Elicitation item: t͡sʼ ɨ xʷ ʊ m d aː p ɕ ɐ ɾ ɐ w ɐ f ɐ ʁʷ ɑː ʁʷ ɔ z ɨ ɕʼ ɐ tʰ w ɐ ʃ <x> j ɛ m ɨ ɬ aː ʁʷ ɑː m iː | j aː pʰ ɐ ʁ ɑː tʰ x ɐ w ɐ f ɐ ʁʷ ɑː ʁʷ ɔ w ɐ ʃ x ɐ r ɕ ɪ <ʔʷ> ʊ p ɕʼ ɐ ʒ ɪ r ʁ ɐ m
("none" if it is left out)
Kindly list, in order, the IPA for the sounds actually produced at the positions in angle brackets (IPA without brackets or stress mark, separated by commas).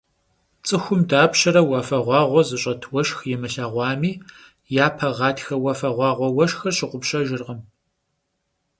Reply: x, qʷ